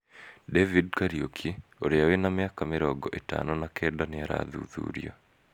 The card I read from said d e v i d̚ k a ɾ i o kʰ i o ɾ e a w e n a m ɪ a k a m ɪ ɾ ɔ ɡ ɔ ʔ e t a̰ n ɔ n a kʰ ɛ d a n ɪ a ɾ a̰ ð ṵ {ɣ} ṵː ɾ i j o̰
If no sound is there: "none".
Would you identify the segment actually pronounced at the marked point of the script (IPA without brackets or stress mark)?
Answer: ð